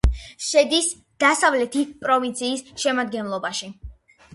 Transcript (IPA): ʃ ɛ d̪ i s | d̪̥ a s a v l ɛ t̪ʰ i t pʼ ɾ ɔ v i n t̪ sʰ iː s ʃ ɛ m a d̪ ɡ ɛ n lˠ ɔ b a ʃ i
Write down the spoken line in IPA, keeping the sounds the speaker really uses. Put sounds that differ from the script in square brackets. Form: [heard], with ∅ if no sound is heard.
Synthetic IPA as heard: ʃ ɛ d̪ i s | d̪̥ a s a v l ɛ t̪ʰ i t pʼ ɾ ɔ v i n t̪ sʰ iː s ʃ ɛ m a d̪ ɡ ɛ n lˠ ɔ b a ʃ i